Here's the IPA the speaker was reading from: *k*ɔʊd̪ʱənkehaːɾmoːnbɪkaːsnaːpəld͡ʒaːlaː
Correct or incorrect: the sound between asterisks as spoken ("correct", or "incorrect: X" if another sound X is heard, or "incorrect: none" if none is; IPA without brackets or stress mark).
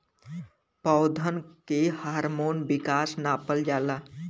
incorrect: p